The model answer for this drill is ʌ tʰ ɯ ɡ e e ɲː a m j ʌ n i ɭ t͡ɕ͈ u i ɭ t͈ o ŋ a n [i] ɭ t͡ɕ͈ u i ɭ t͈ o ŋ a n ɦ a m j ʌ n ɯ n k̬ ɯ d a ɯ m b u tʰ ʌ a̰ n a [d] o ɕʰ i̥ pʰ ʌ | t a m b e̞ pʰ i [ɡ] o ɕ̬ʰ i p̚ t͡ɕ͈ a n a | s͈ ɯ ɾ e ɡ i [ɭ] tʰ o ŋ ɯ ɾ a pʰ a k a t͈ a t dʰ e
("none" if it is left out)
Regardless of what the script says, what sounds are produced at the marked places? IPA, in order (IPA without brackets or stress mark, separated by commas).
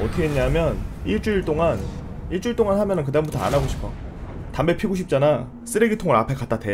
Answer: i, ɡ, ɡ, none